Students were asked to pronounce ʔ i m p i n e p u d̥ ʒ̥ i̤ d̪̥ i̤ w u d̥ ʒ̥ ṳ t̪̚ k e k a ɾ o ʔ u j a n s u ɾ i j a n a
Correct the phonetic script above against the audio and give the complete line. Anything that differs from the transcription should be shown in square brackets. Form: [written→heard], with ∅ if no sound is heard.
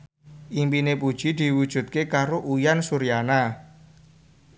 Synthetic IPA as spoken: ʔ i m p i n e p u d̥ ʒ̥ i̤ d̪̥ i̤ w u d̥ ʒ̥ ṳ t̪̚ k e k a ɾ o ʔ u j a n s u ɾ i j a n a